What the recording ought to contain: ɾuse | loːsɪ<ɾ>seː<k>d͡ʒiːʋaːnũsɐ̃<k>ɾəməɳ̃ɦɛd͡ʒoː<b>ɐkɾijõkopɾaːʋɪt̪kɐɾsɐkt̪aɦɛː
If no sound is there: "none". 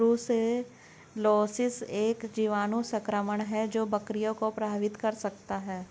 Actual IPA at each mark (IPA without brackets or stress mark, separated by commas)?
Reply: none, k, k, b